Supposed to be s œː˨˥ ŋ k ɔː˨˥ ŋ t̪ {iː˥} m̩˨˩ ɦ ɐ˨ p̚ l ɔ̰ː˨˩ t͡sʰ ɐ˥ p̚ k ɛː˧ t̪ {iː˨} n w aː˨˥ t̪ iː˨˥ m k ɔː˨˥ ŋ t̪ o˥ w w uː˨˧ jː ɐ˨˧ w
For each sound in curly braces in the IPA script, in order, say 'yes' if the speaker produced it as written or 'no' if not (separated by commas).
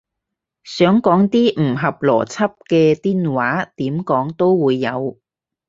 yes, no